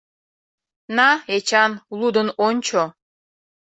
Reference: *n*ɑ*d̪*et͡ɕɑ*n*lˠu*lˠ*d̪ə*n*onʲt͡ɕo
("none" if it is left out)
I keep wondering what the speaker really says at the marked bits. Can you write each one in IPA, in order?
n, none, n, none, n

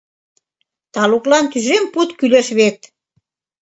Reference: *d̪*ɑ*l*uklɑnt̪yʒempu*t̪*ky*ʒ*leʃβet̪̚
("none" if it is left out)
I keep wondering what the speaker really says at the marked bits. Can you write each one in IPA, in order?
t̪, l, t̪, none

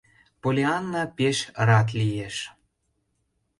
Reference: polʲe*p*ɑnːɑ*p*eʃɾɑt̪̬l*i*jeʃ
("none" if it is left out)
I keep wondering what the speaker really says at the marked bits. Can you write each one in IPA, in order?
none, p, i

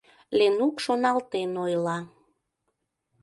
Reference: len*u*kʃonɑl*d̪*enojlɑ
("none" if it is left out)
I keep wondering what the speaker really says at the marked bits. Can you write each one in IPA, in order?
u, t̪

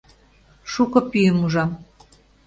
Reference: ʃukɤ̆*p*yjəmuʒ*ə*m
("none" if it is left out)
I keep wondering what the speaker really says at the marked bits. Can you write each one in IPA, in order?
p, ɑ

